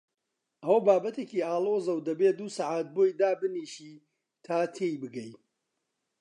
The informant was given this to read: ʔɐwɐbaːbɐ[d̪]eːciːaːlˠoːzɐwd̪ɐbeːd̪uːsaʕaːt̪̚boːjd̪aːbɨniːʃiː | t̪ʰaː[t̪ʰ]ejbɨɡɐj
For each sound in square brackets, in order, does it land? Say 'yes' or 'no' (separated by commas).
no, yes